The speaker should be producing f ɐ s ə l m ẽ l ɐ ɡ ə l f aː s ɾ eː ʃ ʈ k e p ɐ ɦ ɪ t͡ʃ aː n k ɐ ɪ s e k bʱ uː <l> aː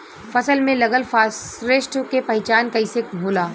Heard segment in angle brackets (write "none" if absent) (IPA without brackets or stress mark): l